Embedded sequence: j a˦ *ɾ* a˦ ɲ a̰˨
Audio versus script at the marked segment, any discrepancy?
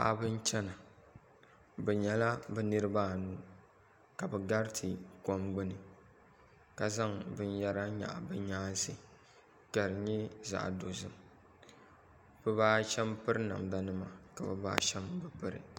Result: no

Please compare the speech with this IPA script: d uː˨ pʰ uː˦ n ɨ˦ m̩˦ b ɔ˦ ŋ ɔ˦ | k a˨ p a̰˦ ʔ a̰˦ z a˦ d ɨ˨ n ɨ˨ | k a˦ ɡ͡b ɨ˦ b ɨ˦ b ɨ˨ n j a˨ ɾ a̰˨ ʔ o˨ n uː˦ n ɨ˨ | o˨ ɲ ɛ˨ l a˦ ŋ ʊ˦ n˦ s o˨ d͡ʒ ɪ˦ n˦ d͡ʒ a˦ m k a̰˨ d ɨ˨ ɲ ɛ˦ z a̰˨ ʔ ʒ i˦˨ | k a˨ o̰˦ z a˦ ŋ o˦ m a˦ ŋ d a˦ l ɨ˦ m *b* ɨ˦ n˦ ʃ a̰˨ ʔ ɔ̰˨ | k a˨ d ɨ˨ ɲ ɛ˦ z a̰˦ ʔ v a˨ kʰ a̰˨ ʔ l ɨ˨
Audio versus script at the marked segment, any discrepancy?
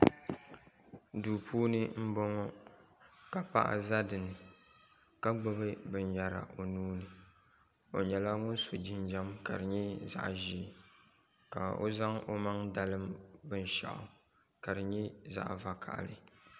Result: no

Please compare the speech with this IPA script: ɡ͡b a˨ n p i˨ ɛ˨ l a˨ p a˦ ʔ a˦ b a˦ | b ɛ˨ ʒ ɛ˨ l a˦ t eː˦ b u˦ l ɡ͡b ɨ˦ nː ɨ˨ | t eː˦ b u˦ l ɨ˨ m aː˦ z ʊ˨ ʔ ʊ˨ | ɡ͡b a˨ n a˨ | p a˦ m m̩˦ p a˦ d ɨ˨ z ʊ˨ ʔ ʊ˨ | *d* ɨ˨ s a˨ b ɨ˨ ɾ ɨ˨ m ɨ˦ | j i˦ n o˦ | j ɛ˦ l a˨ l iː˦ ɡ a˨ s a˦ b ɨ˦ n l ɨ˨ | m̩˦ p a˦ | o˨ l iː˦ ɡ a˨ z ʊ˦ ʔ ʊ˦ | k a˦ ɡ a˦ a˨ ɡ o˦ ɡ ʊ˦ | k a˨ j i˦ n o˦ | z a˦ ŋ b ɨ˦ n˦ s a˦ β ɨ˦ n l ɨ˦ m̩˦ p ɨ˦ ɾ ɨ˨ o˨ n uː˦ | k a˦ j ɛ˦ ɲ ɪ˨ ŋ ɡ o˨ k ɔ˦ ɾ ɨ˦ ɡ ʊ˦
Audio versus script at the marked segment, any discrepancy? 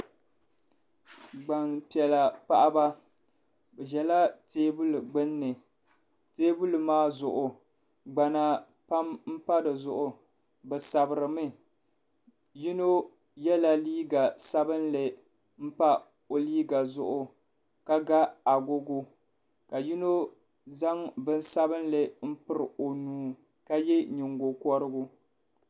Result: yes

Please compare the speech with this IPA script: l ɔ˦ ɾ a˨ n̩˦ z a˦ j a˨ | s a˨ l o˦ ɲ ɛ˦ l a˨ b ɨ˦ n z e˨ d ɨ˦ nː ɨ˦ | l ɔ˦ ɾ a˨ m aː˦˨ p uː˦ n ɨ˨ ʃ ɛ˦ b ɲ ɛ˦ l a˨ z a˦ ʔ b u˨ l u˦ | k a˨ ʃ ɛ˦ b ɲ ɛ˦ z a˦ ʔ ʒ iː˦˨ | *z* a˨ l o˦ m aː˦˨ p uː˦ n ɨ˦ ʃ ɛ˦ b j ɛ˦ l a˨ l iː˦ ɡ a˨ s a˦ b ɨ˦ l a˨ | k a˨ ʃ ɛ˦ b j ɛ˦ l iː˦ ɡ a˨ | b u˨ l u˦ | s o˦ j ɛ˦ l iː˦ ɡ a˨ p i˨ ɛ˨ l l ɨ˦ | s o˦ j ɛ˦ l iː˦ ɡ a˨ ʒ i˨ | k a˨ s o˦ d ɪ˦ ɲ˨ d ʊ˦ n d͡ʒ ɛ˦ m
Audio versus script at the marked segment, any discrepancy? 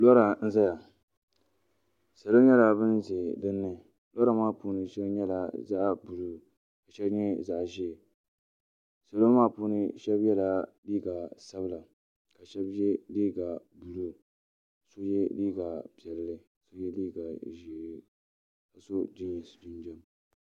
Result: yes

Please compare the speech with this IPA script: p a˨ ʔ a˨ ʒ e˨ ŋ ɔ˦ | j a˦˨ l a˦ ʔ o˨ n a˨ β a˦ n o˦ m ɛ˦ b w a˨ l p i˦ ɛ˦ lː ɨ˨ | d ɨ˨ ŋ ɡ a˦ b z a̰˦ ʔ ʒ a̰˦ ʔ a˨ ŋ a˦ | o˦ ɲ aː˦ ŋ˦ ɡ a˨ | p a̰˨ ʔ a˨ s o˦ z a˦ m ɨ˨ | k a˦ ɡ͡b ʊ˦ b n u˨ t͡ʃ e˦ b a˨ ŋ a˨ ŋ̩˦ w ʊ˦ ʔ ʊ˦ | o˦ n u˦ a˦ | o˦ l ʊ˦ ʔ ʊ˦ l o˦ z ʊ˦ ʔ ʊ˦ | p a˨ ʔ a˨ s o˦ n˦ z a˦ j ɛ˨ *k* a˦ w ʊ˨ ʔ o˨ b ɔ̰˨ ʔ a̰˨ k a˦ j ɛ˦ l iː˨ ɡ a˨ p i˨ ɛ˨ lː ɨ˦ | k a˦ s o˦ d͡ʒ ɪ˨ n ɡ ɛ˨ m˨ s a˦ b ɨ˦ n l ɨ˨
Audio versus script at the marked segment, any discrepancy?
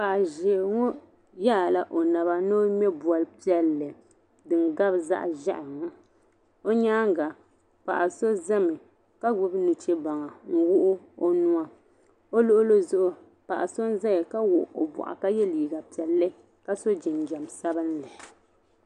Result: no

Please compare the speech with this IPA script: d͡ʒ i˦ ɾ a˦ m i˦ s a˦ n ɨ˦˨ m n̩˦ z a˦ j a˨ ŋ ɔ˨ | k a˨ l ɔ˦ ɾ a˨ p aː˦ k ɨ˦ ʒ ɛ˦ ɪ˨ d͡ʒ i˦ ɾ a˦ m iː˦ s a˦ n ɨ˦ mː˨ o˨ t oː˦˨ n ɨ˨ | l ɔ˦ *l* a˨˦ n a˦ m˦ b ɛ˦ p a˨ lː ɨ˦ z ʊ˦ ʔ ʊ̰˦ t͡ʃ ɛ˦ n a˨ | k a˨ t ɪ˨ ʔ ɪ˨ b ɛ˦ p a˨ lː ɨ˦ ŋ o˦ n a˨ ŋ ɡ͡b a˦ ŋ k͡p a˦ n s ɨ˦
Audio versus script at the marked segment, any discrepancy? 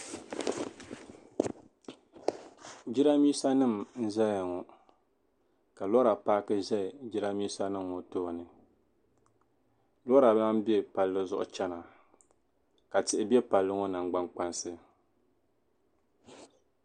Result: yes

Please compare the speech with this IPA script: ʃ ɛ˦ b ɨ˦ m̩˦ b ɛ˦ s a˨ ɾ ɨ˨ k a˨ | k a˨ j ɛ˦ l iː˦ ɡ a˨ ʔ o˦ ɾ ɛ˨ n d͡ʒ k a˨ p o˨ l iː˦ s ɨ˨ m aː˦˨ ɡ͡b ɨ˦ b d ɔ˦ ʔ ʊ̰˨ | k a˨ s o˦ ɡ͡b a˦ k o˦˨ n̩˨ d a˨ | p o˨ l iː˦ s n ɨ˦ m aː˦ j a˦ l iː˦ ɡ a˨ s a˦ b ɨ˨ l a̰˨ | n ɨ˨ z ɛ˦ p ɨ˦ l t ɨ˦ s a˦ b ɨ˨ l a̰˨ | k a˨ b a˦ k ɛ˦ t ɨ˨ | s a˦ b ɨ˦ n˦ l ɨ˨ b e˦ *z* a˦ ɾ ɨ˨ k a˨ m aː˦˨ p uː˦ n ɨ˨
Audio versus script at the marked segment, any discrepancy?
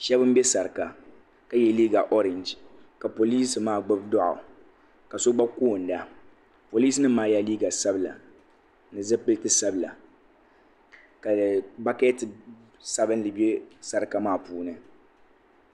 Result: yes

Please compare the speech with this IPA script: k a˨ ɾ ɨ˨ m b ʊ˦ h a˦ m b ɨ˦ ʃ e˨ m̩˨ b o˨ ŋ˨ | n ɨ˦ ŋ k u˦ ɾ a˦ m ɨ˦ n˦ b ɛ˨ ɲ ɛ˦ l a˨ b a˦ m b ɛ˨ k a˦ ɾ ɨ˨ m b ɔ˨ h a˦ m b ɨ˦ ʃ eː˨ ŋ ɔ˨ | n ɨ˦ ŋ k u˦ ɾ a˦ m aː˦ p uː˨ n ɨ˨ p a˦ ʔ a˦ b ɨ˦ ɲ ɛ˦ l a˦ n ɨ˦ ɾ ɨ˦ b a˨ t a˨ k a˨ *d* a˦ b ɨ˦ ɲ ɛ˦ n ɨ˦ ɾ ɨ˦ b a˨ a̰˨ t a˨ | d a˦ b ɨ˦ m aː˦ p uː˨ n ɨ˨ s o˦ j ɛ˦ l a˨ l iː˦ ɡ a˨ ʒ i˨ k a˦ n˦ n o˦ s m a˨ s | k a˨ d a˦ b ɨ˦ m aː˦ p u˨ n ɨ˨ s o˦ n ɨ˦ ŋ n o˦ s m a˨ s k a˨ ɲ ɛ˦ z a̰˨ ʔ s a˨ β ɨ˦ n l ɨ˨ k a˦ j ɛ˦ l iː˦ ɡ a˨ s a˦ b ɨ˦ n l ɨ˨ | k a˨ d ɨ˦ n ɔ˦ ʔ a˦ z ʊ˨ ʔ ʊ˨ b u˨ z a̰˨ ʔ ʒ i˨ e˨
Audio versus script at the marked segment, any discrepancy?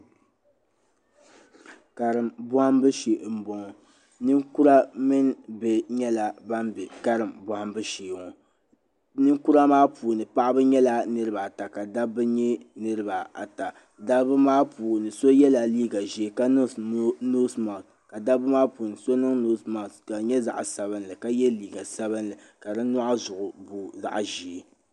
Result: no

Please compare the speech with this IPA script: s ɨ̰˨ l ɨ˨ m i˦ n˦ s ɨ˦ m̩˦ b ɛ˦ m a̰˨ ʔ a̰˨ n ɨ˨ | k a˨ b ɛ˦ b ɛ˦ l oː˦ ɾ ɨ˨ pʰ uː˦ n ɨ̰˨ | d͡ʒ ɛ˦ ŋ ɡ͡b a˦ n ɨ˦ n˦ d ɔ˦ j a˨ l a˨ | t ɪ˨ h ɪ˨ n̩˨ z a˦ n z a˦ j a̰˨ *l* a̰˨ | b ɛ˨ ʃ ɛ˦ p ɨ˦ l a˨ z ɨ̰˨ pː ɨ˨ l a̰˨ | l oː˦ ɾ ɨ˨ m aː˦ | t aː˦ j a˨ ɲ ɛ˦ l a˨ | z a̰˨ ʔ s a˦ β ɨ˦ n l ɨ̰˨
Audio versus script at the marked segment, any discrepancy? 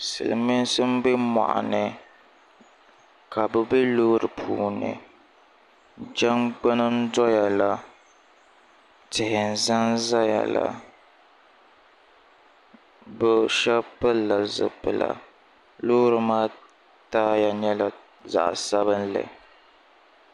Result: no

